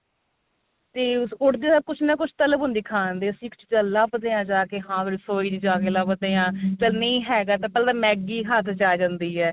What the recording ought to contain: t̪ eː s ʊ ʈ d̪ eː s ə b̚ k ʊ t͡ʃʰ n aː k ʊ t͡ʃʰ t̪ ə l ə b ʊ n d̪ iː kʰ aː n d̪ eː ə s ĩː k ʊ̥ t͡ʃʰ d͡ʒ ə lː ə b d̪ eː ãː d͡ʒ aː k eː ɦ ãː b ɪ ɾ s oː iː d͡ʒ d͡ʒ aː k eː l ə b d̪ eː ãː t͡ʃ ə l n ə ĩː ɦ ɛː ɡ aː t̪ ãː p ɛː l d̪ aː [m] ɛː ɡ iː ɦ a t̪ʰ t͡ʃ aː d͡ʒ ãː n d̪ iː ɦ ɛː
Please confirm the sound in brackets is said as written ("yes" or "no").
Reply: yes